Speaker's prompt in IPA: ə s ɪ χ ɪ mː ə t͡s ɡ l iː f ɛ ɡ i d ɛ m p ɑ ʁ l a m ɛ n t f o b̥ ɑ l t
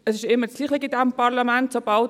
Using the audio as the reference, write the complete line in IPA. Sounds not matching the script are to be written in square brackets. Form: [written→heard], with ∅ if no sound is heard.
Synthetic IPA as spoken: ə s ɪ [χ→ʃ] ɪ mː ə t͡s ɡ l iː [f→χ] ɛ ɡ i d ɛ m p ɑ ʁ l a m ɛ n t [f→s] o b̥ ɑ l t